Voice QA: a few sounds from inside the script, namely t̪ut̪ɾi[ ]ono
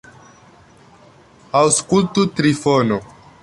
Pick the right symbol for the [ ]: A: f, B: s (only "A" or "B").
A